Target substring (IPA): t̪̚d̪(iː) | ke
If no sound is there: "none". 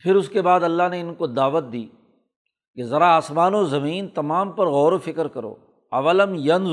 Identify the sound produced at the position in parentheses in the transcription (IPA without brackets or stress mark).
iː